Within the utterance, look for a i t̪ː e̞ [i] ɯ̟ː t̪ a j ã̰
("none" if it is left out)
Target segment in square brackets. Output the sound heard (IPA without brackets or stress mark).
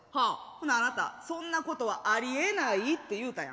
j